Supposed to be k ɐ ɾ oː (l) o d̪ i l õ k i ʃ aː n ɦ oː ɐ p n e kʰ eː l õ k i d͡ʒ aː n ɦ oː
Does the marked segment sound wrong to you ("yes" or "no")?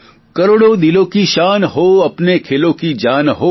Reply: yes